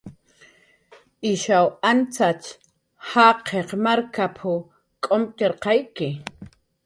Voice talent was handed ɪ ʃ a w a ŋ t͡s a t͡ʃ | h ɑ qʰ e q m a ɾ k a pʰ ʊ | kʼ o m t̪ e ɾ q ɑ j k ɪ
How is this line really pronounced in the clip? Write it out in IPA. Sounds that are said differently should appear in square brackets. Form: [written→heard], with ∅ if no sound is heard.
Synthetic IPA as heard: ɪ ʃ a w a [ŋ→n] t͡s a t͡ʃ | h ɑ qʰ e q m a ɾ k a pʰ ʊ | kʼ o m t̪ e ɾ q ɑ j k ɪ